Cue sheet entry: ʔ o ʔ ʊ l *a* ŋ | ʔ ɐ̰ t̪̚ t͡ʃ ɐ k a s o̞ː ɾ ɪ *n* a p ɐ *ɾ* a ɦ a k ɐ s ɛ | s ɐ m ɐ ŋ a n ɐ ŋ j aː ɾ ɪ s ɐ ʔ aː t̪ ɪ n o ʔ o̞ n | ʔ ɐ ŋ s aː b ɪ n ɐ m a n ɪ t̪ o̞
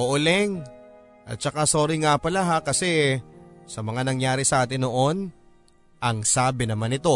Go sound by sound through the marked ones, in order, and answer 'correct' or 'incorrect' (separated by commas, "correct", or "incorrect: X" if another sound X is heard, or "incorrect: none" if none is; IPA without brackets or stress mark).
incorrect: ɛ, incorrect: ŋ, incorrect: l